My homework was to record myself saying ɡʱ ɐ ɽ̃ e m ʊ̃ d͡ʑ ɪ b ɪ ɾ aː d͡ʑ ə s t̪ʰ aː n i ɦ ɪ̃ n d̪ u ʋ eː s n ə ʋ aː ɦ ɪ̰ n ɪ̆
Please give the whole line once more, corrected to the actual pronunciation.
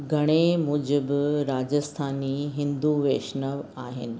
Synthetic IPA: ɡʱ ɐ ɽ̃ e m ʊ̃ d͡ʑ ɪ b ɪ ɾ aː d͡ʑ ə s t̪ʰ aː n i ɦ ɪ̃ n d̪ u ʋ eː ʃ n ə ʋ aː ɦ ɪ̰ n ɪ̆